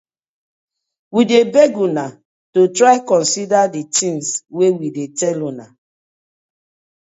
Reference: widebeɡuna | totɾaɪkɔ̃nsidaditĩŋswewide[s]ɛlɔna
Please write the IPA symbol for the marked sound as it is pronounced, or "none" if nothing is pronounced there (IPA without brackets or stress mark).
t